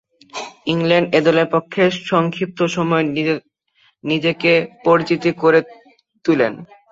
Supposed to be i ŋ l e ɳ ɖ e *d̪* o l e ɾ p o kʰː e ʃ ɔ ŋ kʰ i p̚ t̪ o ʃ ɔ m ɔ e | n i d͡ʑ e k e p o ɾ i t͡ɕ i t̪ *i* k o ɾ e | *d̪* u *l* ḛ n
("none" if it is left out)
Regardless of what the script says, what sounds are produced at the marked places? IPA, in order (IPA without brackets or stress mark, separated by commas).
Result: d̪, i, t̪, l